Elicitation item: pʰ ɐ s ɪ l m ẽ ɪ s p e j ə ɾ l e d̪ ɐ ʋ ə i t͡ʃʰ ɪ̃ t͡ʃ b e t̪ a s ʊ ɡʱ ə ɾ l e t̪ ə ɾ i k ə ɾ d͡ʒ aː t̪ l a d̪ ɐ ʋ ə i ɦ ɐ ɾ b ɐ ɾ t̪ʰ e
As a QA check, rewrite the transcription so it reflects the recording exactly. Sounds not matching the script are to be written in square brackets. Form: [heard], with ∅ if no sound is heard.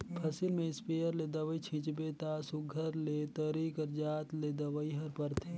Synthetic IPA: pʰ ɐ s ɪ l m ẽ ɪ s p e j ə ɾ l e d̪ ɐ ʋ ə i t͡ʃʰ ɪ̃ t͡ʃ b e t̪ a s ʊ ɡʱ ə ɾ l e t̪ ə ɾ i k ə ɾ d͡ʒ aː t̪ l [e] d̪ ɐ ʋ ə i ɦ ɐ ɾ [p] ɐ ɾ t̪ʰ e